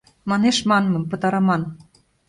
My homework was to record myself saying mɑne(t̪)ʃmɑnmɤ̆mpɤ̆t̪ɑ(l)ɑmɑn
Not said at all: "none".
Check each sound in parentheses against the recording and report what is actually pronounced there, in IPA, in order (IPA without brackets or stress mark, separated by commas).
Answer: none, ɾ